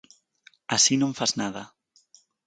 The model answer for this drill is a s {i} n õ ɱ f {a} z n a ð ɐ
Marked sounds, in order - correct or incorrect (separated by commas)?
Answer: correct, correct